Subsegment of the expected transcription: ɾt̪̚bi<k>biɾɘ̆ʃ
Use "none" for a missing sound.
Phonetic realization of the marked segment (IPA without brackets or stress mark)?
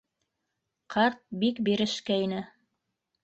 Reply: k